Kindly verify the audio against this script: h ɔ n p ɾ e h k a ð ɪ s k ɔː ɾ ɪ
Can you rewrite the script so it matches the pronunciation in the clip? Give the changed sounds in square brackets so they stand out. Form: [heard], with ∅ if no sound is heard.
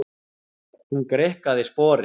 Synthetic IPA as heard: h [u] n [k] ɾ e h k a ð ɪ s [p] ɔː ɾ ɪ